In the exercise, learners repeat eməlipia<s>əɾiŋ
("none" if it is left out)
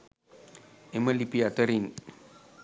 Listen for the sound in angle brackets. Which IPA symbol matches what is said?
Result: t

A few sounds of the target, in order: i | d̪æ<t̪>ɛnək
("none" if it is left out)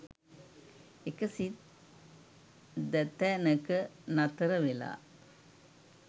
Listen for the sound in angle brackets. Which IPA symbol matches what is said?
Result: t̪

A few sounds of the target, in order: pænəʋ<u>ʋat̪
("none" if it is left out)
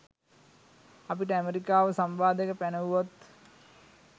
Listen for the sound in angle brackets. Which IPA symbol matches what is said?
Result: u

